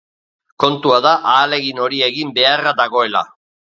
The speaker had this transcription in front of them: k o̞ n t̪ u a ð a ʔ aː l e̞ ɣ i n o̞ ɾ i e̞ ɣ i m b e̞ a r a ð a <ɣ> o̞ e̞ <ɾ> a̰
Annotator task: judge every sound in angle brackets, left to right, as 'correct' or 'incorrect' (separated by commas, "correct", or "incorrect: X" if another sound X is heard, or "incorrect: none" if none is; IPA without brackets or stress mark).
correct, incorrect: l